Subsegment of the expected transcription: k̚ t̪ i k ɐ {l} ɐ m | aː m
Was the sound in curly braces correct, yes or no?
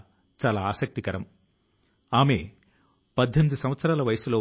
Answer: no